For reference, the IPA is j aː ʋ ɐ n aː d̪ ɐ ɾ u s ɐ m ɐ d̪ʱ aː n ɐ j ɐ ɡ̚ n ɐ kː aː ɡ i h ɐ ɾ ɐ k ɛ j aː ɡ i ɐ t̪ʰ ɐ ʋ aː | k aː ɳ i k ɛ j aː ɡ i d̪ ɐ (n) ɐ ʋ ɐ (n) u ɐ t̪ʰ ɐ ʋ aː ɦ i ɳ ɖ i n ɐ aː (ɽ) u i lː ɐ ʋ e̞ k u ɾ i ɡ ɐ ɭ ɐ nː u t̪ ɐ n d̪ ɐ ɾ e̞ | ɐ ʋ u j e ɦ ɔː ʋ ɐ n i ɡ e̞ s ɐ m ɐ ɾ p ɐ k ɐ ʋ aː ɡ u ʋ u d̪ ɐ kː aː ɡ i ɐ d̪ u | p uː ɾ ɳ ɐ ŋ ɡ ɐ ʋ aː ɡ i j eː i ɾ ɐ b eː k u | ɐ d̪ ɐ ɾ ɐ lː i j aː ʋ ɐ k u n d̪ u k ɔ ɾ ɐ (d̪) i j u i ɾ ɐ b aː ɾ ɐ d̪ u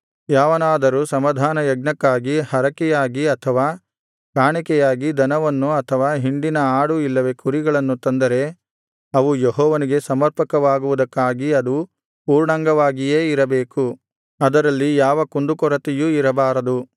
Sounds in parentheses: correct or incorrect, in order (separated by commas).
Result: correct, incorrect, correct, incorrect